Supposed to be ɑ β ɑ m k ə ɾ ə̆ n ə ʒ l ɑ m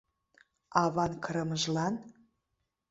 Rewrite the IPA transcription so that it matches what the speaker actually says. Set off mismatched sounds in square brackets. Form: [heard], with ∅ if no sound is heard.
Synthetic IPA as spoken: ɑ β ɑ [n] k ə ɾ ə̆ [m] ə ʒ l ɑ [n]